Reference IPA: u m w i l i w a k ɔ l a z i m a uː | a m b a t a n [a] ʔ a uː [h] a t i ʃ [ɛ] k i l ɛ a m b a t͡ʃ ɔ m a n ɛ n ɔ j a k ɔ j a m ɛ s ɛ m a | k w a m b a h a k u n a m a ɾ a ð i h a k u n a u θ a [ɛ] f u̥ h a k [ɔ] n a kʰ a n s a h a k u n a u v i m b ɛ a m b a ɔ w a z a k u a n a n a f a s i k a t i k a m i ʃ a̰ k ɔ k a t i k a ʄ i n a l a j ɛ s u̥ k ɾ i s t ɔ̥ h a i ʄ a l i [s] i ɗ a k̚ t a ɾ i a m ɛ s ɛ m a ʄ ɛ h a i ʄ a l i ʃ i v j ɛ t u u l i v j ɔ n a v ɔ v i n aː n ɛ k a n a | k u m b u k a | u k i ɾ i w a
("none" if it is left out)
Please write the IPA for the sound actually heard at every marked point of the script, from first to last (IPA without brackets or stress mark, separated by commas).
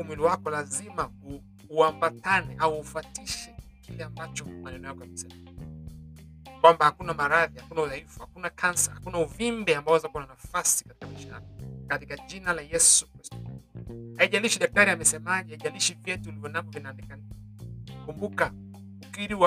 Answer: ɛ, f, ɛ, i, u, ʃ